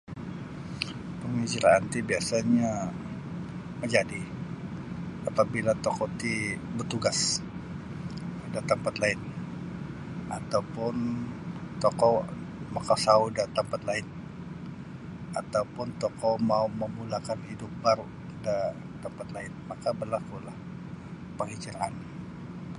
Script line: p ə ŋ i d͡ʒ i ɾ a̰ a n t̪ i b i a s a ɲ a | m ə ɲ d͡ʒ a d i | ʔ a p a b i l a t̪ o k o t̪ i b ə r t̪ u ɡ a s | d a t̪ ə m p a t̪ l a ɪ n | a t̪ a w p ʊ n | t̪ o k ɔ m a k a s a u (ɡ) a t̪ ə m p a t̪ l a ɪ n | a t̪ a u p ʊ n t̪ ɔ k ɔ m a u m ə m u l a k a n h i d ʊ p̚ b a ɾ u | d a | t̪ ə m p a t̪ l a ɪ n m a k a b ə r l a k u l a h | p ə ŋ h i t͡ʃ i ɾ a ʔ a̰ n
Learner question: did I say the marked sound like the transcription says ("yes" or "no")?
no